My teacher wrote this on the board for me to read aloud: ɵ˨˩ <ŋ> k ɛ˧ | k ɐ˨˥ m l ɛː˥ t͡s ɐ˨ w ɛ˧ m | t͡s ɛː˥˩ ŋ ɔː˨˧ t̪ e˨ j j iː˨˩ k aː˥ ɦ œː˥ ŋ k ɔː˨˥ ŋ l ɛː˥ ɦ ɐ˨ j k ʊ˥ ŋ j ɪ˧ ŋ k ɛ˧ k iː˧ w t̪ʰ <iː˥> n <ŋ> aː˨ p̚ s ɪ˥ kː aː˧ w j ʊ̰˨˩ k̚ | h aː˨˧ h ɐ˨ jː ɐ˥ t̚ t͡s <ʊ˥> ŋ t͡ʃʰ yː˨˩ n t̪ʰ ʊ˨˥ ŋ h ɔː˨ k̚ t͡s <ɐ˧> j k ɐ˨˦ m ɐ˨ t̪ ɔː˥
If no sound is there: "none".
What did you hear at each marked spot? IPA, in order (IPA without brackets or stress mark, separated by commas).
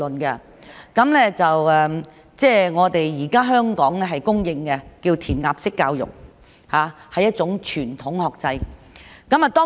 n, iː˨˩, ŋ, ʊ˨˥, ɐ˧